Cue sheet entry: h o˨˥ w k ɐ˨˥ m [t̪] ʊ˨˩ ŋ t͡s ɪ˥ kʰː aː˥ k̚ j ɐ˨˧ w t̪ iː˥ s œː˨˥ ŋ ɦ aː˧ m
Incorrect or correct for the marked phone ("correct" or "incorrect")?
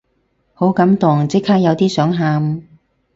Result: correct